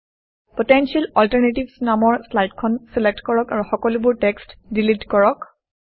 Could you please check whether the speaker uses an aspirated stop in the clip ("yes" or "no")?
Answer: yes